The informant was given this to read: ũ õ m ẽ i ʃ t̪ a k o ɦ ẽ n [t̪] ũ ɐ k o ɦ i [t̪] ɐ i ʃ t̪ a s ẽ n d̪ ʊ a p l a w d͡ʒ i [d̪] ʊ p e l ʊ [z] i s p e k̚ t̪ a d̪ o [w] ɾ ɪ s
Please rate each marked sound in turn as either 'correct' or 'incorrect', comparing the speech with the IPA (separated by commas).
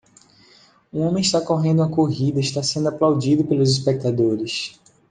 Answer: incorrect, incorrect, correct, correct, incorrect